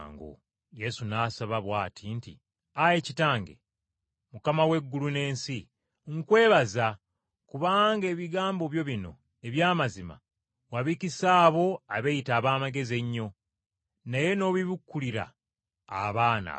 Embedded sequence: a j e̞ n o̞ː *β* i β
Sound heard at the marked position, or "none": β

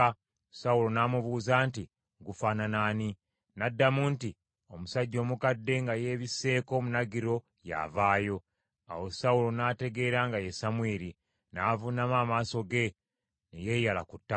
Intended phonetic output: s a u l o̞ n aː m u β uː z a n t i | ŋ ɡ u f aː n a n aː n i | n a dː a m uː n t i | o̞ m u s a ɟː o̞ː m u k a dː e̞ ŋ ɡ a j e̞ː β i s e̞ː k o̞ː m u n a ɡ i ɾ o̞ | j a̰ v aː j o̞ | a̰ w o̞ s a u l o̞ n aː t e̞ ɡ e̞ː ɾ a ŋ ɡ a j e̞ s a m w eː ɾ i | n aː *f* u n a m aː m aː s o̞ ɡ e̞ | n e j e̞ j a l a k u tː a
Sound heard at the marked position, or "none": v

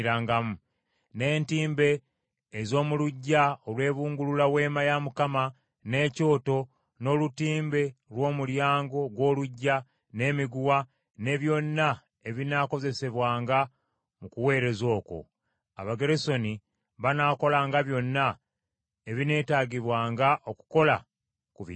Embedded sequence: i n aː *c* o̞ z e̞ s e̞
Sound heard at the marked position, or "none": k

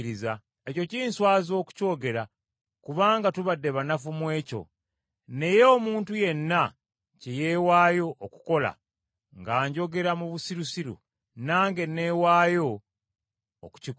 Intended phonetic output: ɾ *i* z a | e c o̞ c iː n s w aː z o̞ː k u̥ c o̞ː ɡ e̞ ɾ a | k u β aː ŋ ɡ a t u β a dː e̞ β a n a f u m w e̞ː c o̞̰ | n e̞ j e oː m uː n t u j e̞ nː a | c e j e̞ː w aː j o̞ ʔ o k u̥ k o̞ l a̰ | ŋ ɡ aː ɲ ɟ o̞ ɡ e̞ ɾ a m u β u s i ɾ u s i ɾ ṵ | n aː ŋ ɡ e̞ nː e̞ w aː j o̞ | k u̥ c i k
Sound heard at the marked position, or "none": i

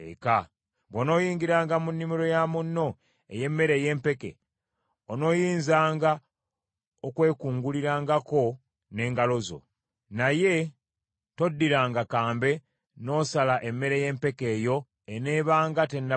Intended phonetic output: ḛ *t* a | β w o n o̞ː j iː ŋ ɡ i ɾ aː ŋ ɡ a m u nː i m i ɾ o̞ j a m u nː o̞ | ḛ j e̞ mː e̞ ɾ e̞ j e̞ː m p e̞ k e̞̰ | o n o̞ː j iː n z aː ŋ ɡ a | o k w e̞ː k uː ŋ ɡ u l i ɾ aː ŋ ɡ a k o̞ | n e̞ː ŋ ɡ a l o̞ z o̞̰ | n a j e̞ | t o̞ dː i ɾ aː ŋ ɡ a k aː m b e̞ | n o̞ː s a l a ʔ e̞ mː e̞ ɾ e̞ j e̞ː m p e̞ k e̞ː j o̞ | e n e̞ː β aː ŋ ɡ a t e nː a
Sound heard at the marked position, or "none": k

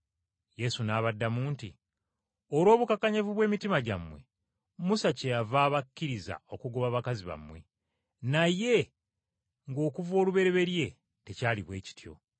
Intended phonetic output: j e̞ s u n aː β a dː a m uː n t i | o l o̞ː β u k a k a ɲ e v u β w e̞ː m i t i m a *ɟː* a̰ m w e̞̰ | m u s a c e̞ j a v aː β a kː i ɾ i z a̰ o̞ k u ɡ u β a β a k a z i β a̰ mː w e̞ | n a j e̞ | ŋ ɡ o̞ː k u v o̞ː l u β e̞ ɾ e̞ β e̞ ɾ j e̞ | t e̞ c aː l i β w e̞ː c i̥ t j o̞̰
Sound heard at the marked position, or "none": ɟ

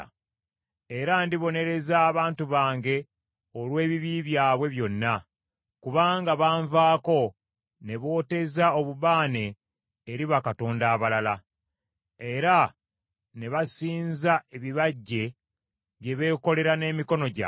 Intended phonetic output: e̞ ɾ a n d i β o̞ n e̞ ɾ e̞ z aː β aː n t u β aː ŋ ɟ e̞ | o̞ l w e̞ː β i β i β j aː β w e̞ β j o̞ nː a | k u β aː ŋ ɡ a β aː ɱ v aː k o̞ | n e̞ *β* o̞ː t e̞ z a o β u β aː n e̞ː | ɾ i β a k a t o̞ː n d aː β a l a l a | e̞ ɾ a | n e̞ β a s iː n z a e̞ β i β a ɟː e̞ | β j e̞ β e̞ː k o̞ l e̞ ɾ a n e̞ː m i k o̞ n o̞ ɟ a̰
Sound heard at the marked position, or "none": β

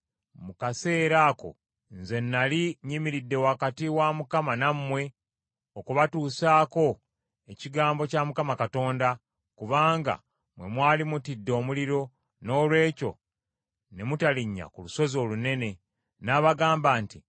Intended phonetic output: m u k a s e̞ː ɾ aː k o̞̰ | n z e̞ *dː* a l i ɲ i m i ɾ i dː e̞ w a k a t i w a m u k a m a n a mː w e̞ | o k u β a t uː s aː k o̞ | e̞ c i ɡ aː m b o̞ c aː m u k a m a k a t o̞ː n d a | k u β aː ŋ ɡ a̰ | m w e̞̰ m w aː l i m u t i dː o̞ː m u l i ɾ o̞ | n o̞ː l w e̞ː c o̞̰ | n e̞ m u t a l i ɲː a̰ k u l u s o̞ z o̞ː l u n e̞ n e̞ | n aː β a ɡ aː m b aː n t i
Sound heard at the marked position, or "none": nː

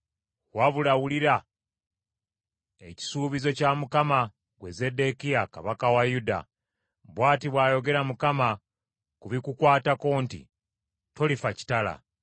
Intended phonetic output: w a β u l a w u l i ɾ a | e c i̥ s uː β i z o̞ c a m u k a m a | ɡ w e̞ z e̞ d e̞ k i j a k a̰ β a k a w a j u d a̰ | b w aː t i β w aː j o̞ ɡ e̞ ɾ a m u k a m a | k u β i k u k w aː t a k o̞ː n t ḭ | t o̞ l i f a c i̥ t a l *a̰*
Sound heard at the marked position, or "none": a̰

